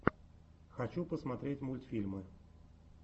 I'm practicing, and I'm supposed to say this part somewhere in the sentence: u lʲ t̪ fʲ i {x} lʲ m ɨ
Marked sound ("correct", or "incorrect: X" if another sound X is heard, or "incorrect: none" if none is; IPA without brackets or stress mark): incorrect: none